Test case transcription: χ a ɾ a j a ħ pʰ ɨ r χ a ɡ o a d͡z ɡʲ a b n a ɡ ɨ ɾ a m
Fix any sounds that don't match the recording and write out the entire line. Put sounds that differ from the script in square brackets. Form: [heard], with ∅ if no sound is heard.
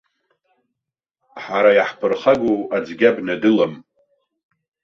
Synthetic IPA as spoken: [ħ] a ɾ a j a ħ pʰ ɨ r χ a ɡ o a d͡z ɡʲ a b n a [d] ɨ [l] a m